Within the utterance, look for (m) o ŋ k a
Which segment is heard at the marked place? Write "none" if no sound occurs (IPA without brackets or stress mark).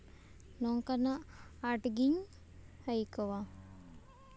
n